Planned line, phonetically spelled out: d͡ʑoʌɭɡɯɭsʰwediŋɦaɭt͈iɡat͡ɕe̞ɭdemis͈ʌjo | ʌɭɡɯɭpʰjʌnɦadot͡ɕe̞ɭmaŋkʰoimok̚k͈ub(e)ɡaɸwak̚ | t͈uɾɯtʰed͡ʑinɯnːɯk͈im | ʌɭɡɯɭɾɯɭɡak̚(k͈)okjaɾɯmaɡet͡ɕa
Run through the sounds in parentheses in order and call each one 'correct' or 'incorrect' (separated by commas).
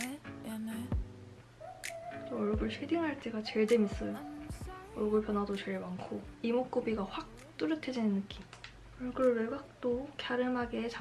incorrect, incorrect